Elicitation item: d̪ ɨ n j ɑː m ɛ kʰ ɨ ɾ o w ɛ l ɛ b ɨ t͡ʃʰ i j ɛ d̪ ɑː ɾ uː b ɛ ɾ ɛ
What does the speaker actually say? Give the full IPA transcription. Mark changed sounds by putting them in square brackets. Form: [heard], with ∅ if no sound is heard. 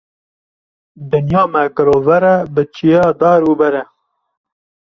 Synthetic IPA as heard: d̪ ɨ n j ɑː m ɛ [k] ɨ ɾ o [v] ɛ [ɾ] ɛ b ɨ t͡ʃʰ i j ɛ d̪ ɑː ɾ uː b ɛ ɾ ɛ